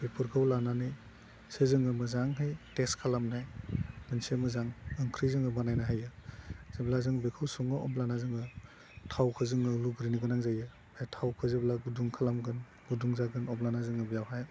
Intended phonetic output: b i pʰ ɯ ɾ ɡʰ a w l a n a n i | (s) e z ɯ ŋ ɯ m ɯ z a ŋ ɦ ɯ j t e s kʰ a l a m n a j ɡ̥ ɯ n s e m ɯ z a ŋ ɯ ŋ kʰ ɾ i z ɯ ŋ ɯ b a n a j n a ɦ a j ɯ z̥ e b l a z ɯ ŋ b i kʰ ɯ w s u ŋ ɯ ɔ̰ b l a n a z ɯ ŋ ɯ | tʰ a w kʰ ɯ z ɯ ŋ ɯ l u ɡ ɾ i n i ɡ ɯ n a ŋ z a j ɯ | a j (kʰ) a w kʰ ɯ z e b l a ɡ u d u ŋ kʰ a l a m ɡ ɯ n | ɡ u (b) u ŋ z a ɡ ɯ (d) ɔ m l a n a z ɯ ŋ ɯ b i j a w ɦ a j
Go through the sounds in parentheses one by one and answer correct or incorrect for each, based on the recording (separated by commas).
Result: correct, incorrect, incorrect, incorrect